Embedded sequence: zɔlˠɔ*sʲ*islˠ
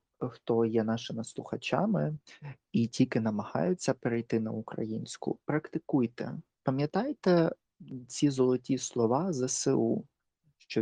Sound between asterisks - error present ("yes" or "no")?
yes